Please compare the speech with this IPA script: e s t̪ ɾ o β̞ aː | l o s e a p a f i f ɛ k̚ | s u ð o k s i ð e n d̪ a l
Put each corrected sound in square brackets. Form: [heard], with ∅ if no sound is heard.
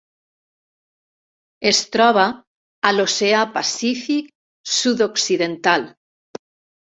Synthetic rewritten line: e s t̪ ɾ [ɔ] β̞ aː | l o s e a p a [s] i f [i] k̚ | s u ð o k s i ð e n [t̪] a l